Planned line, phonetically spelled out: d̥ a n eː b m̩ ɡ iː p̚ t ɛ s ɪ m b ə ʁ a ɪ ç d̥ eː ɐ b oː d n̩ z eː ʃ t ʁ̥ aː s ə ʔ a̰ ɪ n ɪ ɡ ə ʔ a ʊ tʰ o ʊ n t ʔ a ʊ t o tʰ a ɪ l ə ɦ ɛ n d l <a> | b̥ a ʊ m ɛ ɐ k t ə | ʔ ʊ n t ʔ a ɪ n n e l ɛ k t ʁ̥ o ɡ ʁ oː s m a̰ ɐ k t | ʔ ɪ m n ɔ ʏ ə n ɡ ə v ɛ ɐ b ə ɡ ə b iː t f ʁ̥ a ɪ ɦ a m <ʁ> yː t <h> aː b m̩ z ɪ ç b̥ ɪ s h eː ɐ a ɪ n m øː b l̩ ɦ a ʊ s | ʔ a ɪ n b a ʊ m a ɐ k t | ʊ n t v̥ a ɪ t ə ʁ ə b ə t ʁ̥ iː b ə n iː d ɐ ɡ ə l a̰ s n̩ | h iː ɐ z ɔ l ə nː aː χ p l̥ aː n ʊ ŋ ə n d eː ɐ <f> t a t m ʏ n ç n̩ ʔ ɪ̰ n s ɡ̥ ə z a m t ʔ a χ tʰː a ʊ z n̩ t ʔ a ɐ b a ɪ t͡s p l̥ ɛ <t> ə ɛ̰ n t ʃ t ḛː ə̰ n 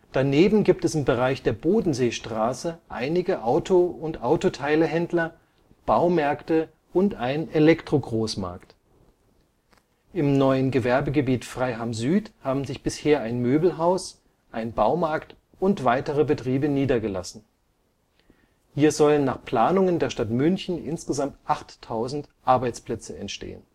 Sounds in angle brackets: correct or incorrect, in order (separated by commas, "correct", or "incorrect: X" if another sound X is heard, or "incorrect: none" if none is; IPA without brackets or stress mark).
incorrect: ɐ, incorrect: z, correct, incorrect: ʃ, incorrect: t͡s